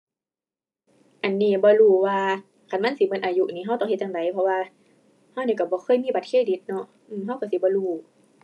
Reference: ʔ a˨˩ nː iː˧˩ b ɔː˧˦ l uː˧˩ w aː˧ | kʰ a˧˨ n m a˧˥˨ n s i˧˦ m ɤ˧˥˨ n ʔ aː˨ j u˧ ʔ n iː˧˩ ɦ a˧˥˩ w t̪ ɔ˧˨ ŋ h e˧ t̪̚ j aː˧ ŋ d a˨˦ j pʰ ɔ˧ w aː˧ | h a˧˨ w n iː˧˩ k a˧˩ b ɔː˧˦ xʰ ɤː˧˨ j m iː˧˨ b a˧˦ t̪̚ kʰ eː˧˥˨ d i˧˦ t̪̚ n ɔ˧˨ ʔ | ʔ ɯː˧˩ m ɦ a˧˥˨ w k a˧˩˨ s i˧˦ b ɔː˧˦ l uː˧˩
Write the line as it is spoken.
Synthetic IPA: ʔ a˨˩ nː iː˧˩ b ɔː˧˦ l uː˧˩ w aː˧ | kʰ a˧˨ n m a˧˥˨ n s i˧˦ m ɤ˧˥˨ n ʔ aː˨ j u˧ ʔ n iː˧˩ ɦ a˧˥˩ w t̪ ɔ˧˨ ŋ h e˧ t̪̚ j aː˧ ŋ d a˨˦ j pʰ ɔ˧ w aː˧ | h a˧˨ w n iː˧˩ k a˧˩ b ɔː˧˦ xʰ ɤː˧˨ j m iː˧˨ b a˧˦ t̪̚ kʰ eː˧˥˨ d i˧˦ t̪̚ n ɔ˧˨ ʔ | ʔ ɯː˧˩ m ɦ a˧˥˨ w k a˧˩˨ s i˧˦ b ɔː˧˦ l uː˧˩